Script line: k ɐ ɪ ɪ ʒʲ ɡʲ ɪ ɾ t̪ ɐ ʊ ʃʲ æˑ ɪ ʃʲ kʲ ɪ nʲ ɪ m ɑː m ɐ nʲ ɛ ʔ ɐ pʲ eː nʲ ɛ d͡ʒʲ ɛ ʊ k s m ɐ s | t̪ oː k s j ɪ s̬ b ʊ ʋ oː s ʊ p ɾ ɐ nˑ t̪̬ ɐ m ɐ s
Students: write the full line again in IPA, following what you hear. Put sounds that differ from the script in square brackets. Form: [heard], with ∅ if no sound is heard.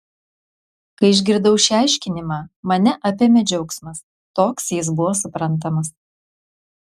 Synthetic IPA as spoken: k ɐ ɪ ɪ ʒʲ ɡʲ ɪ ɾ [d̪] ɐ ʊ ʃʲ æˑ ɪ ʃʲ kʲ ɪ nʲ ɪ m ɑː m ɐ nʲ ɛ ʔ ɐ pʲ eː [mʲ] ɛ d͡ʒʲ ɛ ʊ k s m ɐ s | t̪ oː k s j ɪ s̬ b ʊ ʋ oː s ʊ p ɾ ɐ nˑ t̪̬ ɐ m ɐ s